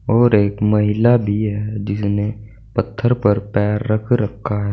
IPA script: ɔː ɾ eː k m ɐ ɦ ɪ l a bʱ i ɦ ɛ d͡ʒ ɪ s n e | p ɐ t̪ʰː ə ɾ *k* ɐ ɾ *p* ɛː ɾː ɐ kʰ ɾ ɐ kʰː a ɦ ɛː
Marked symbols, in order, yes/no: no, yes

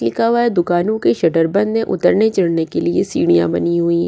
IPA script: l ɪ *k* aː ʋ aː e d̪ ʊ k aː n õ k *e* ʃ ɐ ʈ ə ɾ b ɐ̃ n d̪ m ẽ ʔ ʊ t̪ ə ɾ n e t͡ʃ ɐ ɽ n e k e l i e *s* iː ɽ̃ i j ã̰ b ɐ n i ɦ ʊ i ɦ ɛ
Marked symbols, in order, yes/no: yes, yes, yes

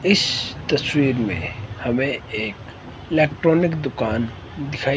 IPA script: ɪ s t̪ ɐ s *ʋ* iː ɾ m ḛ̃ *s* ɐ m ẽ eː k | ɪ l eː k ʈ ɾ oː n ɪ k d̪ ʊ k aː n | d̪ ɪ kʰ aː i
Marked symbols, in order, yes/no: no, no

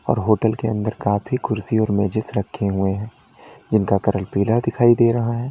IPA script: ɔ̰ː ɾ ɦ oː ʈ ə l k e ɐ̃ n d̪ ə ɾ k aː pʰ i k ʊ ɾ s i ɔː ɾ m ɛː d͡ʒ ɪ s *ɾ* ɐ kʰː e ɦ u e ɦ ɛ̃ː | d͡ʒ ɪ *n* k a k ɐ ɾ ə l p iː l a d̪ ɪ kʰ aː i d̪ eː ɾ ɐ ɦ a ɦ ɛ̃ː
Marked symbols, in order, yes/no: yes, yes

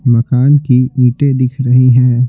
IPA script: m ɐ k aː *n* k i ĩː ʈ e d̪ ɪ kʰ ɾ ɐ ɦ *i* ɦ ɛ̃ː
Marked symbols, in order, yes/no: yes, yes

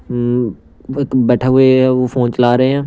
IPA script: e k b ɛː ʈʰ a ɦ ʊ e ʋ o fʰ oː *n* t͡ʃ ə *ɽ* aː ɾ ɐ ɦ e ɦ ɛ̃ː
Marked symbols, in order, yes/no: yes, no

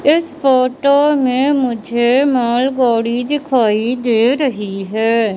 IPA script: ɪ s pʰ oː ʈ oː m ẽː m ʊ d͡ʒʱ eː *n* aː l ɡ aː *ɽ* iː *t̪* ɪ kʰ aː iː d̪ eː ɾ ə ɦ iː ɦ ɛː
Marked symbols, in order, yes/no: no, yes, no

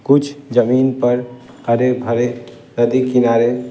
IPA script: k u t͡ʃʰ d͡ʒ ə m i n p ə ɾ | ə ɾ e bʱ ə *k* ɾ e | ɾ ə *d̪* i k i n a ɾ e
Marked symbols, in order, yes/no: no, yes

